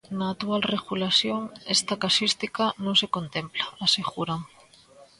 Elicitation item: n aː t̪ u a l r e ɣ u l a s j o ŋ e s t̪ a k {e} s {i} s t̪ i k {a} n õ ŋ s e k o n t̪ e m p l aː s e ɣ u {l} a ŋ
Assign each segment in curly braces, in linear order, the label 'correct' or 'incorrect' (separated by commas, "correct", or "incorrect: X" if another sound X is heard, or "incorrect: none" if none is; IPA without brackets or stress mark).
incorrect: a, correct, correct, incorrect: ɾ